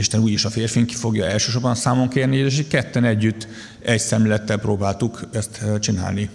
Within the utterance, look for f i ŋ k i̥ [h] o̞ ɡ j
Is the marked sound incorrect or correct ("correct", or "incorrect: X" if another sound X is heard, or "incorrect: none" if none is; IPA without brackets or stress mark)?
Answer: incorrect: f